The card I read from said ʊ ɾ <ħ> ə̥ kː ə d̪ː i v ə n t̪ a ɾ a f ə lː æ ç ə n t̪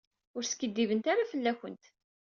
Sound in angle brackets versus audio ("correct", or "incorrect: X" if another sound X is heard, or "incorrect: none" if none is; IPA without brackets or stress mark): incorrect: s